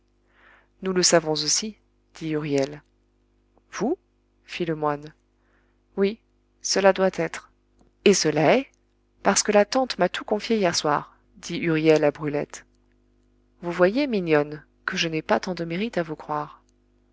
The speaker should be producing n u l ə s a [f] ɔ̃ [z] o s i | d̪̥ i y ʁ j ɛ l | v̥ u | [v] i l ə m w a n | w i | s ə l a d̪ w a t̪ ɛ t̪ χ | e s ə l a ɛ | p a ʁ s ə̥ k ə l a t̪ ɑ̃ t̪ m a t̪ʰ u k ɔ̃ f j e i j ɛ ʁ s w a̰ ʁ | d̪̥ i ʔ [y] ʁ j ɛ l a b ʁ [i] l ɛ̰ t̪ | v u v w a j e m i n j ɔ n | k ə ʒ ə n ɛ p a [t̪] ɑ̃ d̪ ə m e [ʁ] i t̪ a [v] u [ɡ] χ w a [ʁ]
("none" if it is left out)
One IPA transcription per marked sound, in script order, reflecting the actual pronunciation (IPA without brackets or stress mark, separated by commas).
v, z, f, y, y, t̪, ʁ, v, k, ʁ